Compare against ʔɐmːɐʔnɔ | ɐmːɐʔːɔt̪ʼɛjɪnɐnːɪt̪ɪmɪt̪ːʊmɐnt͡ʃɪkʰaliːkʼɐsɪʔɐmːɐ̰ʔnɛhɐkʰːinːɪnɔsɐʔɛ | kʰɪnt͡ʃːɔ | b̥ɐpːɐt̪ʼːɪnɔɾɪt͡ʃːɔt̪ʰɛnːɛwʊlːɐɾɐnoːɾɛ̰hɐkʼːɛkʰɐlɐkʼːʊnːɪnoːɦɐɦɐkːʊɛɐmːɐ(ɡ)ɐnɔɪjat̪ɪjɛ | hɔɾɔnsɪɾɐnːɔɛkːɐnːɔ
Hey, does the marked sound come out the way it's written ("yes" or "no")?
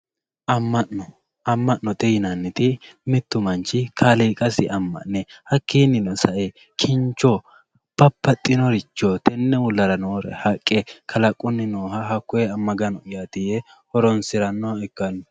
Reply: yes